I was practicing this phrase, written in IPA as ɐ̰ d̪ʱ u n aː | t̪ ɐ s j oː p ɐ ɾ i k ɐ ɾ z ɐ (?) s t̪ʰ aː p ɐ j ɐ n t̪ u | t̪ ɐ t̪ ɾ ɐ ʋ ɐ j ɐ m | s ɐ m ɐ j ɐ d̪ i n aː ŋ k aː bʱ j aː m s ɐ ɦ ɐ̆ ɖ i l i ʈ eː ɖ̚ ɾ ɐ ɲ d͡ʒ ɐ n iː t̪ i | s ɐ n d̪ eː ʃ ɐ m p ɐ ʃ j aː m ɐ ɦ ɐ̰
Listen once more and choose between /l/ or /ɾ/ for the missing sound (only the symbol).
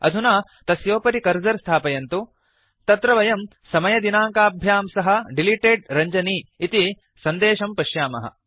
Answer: ɾ